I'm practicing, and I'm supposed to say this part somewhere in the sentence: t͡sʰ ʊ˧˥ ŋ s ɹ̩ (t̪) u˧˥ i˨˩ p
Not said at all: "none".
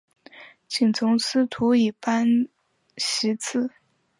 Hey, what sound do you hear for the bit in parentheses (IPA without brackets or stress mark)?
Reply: t̪ʰ